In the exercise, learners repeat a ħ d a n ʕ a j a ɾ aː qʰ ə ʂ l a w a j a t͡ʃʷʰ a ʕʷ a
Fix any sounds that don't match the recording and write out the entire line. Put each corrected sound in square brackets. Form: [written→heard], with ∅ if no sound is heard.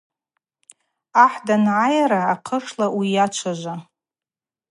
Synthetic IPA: a ħ d a n ʕ a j a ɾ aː qʰ ə ʂ l a w [a→i] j a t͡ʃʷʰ a [ʕʷ→ʒʷ] a